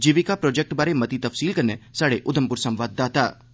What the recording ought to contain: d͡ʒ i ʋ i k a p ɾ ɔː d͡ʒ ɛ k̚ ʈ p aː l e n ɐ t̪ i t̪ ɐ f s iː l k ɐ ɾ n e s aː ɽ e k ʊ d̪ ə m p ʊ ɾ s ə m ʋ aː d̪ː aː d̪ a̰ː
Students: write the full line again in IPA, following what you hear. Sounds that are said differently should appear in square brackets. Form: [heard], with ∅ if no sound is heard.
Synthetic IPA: d͡ʒ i ʋ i k a p ɾ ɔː d͡ʒ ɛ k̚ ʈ [b] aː [ɾ] e [m] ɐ t̪ i t̪ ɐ f s iː l k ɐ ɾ n e s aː ɽ e [ʔ] ʊ d̪ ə m p ʊ ɾ s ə m ʋ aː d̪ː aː [t̪] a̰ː